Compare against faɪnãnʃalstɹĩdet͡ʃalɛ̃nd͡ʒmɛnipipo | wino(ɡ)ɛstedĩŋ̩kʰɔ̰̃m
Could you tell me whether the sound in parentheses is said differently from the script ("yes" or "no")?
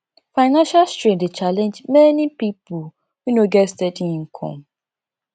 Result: no